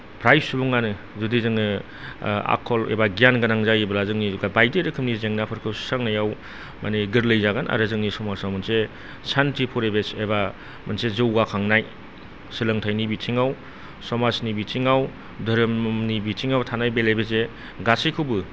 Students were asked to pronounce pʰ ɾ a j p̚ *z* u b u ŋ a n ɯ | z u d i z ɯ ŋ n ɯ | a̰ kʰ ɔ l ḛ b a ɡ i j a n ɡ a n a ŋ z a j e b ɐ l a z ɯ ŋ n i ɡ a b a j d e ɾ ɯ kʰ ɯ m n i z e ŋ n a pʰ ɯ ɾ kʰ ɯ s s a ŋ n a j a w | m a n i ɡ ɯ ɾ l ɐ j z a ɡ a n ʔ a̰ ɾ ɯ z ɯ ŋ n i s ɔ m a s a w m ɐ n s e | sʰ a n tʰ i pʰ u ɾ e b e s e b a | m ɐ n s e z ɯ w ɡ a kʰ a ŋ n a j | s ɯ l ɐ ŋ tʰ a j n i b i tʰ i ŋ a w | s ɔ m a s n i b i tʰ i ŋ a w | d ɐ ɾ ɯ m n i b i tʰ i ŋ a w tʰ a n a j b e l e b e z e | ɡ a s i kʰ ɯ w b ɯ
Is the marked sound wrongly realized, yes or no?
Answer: yes